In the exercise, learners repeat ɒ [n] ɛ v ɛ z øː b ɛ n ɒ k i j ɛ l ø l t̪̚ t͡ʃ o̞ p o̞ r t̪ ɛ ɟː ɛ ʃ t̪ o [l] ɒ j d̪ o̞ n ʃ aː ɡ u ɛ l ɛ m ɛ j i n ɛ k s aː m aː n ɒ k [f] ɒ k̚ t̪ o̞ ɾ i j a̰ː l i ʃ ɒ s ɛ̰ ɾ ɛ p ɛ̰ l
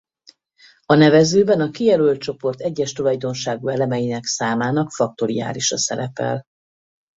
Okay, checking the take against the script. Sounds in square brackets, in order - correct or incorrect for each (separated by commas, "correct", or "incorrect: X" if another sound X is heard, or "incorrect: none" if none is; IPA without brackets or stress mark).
correct, correct, correct